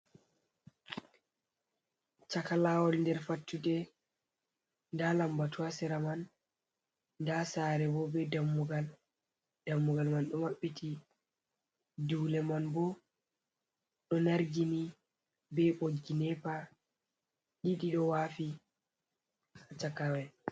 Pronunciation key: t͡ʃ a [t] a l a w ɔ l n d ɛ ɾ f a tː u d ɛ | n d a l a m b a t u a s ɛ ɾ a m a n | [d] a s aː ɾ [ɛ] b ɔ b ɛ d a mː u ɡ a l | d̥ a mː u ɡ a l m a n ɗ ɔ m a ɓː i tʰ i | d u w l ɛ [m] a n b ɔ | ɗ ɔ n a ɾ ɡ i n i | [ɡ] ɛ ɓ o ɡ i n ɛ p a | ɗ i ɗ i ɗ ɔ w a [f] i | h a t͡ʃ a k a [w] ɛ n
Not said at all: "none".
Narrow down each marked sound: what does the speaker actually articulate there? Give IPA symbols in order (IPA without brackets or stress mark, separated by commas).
k, d, ɛ, m, b, f, w